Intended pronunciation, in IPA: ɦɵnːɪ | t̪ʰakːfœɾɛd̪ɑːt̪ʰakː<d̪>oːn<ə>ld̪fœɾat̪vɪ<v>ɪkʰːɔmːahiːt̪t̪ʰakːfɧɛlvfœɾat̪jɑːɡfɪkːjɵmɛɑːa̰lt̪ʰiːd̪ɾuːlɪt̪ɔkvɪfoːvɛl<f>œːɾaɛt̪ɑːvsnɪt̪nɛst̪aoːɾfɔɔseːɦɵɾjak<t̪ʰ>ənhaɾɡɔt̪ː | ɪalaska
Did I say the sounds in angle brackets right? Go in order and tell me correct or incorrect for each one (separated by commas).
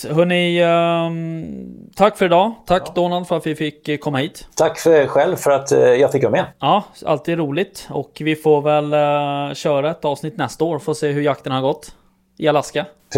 correct, incorrect, incorrect, incorrect, incorrect